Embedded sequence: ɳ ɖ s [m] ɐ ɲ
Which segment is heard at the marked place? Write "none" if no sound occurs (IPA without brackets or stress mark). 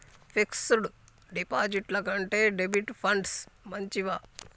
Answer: m